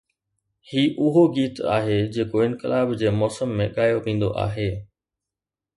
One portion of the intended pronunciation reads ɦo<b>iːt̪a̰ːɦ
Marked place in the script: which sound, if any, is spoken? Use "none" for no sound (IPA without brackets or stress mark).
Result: ɡ